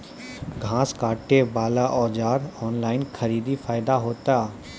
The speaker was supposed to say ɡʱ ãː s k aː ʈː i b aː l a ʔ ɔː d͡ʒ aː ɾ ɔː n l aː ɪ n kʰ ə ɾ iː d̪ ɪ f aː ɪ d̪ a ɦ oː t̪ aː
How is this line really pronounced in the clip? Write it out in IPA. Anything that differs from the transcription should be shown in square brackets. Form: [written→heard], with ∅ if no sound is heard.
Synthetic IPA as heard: ɡʱ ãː s k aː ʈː [i→e] b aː l a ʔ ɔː d͡ʒ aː ɾ ɔː n l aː ɪ n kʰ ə ɾ iː d̪ [ɪ→i] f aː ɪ d̪ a ɦ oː t̪ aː